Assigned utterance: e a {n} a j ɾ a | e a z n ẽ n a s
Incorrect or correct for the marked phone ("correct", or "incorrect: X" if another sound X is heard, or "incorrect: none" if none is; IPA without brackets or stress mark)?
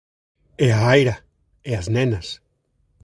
incorrect: none